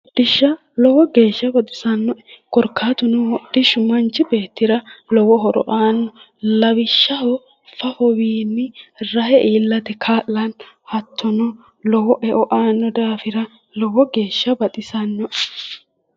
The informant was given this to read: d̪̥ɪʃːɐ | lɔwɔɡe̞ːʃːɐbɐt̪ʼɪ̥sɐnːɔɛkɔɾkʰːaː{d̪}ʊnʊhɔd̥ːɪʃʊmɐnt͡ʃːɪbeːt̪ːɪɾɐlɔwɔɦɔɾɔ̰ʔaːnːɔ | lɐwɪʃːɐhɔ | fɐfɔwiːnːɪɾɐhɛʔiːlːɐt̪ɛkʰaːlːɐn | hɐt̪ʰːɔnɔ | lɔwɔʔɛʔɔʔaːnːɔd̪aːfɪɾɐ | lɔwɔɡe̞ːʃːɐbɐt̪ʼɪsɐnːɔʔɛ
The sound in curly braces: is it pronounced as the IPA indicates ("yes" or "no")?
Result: no